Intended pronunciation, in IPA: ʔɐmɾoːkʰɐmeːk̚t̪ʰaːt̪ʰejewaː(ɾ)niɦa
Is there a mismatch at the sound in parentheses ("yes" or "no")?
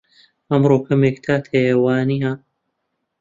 yes